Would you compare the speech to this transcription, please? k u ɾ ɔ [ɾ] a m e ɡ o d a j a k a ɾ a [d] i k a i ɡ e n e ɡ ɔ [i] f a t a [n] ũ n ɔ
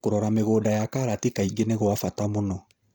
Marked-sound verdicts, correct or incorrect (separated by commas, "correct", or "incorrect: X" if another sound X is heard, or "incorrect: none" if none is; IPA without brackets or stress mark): correct, incorrect: t, incorrect: a, incorrect: m